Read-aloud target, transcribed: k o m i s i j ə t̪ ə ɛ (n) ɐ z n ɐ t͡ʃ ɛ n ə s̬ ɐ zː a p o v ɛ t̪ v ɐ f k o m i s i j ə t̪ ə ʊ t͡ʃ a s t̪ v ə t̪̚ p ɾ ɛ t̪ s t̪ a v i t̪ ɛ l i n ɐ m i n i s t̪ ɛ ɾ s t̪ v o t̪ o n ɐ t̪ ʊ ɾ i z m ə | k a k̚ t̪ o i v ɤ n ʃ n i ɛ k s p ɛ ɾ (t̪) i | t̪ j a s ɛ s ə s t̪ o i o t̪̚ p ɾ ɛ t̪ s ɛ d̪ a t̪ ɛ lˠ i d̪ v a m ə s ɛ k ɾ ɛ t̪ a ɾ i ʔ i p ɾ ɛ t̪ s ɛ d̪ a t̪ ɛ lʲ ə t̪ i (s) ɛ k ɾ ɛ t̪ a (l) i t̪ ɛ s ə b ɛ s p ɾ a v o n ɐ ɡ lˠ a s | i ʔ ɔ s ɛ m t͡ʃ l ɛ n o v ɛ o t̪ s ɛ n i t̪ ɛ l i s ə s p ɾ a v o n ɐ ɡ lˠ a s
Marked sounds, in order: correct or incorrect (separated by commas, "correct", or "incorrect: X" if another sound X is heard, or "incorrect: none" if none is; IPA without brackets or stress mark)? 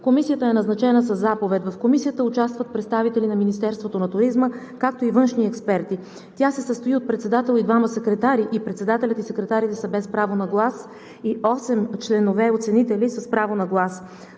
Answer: correct, correct, correct, incorrect: ɾ